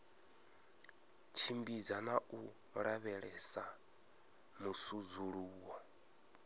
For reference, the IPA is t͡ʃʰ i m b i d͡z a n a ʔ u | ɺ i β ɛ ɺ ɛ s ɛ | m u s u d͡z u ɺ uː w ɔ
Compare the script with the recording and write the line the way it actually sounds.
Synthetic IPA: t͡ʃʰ i m b i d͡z a n a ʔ u | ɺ a β ɛ ɺ ɛ s a | m u s u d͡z u ɺ uː w ɔ